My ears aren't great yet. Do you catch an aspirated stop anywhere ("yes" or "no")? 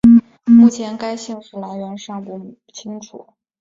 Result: yes